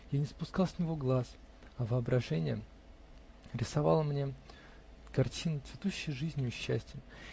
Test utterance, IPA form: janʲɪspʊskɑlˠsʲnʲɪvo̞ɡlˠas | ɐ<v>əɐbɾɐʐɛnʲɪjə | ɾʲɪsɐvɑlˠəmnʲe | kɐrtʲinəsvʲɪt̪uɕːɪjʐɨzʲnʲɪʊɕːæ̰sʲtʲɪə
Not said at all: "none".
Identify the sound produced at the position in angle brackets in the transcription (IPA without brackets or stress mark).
v